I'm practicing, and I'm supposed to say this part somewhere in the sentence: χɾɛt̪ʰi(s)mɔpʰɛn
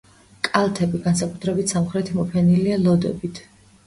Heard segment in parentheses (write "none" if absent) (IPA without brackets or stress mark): none